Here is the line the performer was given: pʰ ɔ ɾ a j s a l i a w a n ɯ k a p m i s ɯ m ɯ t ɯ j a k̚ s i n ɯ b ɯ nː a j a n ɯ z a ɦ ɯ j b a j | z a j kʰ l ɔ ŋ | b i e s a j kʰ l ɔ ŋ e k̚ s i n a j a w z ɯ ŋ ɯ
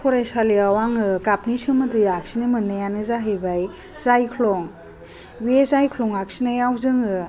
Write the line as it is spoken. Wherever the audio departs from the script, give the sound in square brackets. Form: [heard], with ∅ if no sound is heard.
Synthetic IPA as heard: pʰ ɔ ɾ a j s a l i a w a [ŋ] ɯ k a p [n] i s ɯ m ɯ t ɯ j a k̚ s i n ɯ [m] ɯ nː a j a n ɯ z a ɦ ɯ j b a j | z a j kʰ l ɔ ŋ | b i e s a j kʰ l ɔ ŋ [a] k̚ s i n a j a w z ɯ ŋ ɯ